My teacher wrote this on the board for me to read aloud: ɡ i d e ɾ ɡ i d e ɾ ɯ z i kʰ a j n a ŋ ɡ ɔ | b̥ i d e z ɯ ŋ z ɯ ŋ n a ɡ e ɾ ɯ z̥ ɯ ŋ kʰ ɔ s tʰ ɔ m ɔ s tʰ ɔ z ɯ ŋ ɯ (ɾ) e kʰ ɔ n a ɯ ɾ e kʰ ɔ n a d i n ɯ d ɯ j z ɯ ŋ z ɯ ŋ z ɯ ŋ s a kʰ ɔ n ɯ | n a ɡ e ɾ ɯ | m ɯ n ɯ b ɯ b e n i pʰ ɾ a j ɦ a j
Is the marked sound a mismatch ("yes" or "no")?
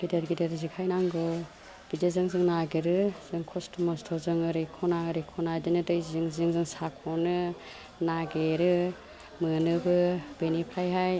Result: no